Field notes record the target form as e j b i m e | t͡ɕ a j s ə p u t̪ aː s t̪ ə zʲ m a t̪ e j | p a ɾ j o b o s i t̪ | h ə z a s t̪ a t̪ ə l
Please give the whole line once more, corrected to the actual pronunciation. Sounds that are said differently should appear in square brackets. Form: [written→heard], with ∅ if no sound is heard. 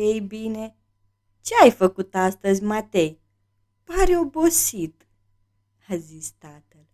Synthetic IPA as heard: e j b i [m→n] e | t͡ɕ a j [s→f] ə [p→k] u t̪ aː s t̪ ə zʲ m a t̪ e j | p a ɾ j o b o s i t̪ | h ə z [a→i] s t̪ a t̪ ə l